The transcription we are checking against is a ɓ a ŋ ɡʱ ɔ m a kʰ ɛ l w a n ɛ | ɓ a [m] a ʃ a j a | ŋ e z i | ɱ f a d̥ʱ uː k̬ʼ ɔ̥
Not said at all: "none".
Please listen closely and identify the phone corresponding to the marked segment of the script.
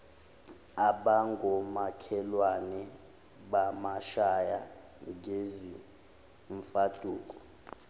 m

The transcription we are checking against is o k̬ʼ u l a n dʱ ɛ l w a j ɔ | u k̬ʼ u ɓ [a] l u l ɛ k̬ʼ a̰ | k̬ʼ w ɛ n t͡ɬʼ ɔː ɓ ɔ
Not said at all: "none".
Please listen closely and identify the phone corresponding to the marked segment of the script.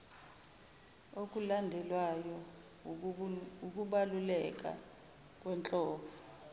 a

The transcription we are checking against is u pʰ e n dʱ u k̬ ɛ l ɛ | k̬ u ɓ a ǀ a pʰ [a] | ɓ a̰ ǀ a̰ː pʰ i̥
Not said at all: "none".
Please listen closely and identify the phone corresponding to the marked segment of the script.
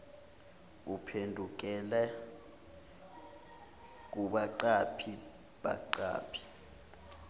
i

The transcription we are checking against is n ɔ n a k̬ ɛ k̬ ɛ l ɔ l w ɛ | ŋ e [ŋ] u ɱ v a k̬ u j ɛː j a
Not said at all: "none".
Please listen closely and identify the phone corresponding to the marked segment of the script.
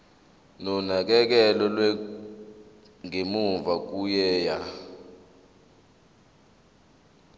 m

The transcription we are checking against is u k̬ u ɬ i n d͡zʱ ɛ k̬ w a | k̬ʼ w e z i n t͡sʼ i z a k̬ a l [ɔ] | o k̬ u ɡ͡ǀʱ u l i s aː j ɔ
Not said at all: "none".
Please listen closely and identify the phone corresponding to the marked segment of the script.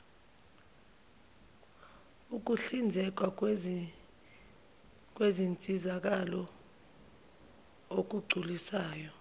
ɔ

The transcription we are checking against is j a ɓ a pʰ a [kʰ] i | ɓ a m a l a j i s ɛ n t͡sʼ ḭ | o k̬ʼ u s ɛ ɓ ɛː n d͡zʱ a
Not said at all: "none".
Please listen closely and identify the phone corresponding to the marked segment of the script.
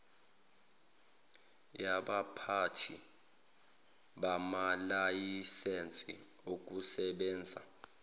tʰ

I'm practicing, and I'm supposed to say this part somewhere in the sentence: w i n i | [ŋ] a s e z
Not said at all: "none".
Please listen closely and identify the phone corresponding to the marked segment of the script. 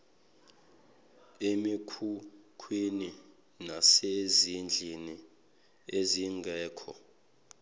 n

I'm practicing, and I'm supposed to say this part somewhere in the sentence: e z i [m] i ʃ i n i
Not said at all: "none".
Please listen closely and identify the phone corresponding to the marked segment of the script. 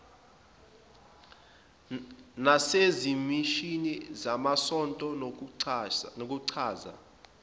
m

